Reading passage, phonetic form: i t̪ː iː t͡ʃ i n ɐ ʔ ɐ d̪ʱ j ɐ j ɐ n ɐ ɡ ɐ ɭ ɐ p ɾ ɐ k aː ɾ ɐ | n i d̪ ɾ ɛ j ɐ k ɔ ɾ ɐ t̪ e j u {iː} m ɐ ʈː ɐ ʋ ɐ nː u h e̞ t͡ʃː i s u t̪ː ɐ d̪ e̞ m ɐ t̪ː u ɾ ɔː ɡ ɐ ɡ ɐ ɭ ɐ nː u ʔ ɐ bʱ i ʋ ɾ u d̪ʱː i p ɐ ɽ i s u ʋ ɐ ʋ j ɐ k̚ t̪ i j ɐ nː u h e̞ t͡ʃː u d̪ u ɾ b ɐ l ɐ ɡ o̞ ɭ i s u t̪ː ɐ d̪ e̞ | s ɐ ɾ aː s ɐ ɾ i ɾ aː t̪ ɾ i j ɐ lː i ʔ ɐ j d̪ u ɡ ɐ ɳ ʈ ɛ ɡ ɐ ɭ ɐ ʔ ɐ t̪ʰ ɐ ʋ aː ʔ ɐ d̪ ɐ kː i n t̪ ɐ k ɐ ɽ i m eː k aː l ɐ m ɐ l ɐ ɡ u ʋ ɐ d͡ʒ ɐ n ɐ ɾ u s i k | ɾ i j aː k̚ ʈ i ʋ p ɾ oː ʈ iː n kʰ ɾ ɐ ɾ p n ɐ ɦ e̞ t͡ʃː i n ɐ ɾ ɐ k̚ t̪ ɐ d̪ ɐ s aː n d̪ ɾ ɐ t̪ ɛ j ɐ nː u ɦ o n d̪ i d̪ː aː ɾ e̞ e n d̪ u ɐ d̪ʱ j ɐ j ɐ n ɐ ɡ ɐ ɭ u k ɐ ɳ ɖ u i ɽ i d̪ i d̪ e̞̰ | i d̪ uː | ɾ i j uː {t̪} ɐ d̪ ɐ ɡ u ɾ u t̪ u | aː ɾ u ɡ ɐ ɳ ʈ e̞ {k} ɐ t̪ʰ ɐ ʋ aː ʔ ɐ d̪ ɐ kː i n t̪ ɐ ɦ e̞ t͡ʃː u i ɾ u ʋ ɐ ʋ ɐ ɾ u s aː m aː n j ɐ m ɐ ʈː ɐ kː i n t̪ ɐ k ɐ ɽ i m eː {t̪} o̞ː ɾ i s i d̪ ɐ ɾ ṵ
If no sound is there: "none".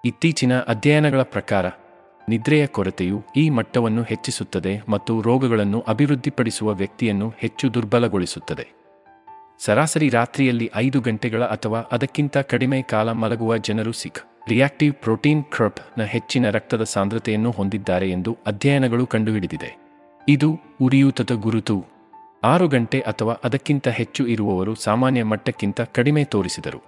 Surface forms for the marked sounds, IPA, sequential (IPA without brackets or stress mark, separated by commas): iː, t̪, ʔ, t̪